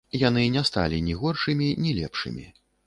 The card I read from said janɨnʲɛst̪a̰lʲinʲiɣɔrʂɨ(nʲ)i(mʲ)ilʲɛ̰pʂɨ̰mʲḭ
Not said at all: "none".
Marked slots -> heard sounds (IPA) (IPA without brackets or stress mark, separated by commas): mʲ, nʲ